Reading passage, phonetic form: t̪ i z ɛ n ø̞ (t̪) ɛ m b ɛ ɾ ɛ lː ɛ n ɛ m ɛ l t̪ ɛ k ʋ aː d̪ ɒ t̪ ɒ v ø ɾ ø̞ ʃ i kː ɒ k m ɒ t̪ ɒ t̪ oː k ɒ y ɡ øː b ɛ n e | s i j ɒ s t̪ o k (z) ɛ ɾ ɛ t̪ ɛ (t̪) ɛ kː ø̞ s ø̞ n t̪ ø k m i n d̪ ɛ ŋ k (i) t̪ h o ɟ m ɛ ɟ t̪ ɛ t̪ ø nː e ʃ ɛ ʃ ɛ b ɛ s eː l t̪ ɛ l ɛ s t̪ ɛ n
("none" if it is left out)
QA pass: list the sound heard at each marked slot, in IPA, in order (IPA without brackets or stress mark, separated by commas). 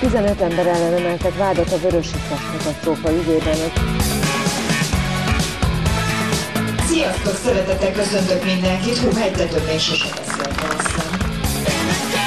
t̪, s, t̪, i